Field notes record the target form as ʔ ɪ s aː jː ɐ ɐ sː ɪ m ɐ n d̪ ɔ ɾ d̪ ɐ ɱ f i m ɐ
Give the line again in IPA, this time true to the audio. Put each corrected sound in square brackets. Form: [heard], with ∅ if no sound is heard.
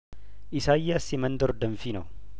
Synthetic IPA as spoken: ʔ ɪ s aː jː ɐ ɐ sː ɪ m ɐ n d̪ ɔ ɾ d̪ ɐ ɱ f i [n] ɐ

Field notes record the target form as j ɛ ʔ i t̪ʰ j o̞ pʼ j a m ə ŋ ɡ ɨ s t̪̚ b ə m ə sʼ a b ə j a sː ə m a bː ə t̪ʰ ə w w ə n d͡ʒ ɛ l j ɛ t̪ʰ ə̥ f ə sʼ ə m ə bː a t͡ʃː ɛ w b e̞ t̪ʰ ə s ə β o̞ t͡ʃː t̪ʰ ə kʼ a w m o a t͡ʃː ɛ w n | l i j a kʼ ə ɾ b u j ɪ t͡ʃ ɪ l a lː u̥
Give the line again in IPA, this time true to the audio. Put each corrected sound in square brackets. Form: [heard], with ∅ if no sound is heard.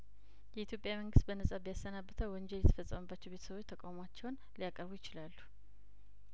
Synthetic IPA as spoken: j ɛ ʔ i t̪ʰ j o̞ pʼ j a m ə ŋ ɡ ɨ s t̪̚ b ə [n] ə sʼ a b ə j a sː ə [n] a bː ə t̪ʰ ə w w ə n d͡ʒ ɛ l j ɛ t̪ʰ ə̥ f ə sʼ ə m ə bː a t͡ʃː ɛ w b e̞ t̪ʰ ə s ə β o̞ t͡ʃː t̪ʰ ə kʼ a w m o a t͡ʃː ɛ w n | l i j a kʼ ə ɾ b u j ɪ t͡ʃ ɪ l a lː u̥

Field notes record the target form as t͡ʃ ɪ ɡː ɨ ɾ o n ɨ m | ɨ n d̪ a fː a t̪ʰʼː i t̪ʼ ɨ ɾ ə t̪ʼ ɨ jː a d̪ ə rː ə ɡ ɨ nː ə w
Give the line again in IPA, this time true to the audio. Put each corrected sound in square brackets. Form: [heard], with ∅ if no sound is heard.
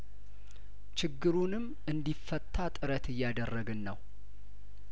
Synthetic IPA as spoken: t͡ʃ ɪ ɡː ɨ ɾ [u] n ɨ m | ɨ n d̪ [i] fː [ə] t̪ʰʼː [a] t̪ʼ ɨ ɾ ə [t̪] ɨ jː a d̪ ə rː ə ɡ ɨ nː ə w

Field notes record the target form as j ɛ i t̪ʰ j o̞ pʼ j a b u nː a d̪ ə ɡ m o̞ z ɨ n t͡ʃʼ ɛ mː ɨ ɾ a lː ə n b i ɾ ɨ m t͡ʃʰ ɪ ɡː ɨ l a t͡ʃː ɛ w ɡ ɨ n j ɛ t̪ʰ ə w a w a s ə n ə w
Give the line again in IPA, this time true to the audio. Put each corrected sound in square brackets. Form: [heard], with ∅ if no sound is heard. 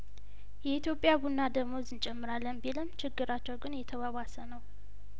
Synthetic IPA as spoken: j ɛ i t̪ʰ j o̞ pʼ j a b u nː a d̪ ə ɡ m o̞ z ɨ n t͡ʃʼ ɛ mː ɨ ɾ a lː ə n b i [l] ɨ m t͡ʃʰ ɪ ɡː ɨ [ɾ] a t͡ʃː ɛ w ɡ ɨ n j ɛ t̪ʰ ə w a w a s ə n ə w

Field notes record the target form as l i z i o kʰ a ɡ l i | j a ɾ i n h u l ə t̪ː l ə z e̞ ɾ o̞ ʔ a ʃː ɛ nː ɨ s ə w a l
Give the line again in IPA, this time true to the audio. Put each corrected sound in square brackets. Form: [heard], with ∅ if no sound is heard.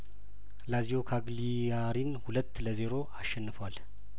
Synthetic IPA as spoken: l [a] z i o kʰ a ɡ l i | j a ɾ i n h u l ə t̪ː l ə z e̞ ɾ o̞ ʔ a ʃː ɛ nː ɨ [f] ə w a l

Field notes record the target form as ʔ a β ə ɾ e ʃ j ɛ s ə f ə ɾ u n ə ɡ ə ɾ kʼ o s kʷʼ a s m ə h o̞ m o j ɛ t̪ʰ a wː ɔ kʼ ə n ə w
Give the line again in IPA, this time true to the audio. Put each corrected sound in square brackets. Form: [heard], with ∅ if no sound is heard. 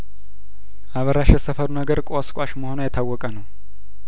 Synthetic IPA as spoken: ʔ a β ə ɾ [a] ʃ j ɛ s ə f ə ɾ u n ə ɡ ə ɾ kʼ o s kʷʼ a [ʃ] m ə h o̞ [n] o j ɛ t̪ʰ a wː ɔ kʼ ə n ə w

